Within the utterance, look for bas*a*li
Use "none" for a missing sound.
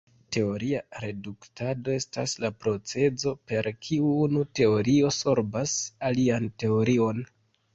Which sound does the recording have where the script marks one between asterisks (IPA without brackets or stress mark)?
a